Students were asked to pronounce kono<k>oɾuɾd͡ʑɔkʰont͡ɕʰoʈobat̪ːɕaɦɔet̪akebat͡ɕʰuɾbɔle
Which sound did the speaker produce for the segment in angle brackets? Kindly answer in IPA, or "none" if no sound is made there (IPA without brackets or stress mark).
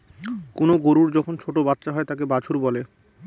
ɡ